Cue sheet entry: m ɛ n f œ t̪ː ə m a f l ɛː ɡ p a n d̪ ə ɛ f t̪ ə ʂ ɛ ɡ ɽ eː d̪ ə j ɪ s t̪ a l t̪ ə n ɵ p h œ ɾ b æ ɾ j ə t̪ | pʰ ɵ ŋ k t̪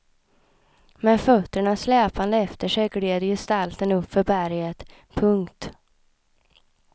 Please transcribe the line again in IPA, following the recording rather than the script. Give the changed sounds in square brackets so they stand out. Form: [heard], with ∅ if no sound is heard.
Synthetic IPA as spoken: m ɛ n f œ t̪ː ə [ɳ] a [s] l ɛː [∅] p a n d̪ ə ɛ f t̪ ə ʂ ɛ ɡ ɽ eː d̪ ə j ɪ s t̪ a l t̪ ə n ɵ p [f] œ ɾ b æ ɾ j ə t̪ | pʰ ɵ ŋ k t̪